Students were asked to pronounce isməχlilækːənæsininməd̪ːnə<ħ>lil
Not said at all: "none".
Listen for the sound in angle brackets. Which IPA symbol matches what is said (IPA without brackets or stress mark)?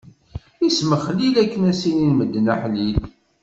ħ